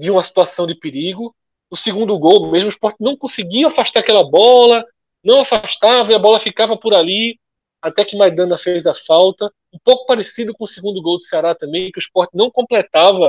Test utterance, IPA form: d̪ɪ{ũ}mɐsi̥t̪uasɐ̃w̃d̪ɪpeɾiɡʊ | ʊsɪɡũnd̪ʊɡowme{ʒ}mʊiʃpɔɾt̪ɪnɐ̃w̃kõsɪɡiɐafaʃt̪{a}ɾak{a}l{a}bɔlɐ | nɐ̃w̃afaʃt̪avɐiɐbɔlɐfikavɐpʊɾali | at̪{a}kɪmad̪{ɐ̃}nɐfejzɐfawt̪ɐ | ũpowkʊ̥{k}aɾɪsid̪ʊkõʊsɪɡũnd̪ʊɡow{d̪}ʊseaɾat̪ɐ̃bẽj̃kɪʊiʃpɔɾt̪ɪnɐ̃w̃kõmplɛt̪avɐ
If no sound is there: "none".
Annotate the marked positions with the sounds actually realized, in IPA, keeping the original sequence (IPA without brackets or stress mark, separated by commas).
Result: ũ, ʒ, a, ɛ, ɐ, ɛ, ɐ̃, p, d̪